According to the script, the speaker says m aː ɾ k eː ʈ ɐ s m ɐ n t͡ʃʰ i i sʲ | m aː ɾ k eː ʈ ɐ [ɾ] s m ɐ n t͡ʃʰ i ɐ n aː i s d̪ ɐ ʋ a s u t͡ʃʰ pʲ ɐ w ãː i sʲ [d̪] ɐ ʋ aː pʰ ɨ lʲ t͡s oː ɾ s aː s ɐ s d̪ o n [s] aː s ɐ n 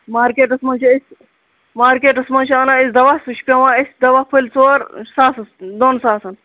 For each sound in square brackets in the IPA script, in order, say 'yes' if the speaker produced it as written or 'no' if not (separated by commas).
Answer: no, yes, yes